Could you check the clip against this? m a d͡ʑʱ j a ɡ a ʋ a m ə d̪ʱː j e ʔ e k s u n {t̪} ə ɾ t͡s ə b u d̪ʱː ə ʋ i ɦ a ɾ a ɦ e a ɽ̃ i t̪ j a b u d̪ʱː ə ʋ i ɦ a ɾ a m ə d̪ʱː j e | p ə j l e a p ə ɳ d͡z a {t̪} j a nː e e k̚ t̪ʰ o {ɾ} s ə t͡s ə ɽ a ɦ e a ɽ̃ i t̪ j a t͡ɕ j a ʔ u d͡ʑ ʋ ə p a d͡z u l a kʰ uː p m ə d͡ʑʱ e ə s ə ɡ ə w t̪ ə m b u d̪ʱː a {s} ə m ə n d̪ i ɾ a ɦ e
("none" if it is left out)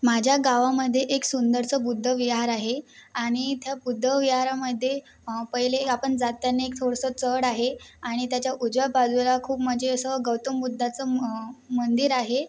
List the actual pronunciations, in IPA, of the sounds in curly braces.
d̪, t̪, ɽ, t͡s

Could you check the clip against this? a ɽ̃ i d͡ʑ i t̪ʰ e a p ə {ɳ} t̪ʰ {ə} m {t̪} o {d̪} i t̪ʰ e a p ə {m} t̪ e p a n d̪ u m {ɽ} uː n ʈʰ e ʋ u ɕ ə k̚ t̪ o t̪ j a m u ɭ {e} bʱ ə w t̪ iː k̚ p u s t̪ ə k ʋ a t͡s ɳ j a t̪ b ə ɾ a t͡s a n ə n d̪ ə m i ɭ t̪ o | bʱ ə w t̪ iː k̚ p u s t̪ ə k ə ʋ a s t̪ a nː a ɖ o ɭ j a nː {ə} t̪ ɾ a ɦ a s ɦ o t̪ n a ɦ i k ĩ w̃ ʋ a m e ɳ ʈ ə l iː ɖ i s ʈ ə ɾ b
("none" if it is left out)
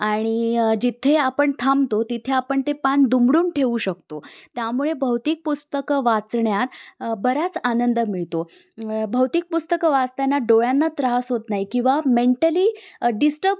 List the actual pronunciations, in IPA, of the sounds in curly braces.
ɳ, a, t̪, t̪, ɳ, ɽ, e, a

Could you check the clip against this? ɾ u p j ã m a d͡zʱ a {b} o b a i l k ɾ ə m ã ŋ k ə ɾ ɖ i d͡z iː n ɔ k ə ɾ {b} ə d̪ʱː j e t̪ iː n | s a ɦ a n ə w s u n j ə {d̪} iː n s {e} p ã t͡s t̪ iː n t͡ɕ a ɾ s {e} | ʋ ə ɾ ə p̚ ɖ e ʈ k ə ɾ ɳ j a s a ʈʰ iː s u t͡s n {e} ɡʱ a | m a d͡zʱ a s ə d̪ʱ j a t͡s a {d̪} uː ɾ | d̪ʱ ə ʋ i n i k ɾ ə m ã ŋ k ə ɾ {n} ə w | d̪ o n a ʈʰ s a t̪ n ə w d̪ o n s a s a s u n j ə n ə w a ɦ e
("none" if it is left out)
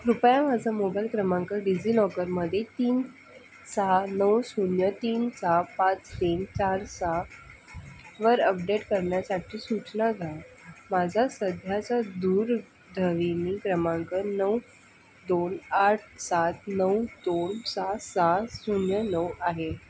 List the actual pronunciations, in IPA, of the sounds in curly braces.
m, m, t̪, a, a, a, d̪, n

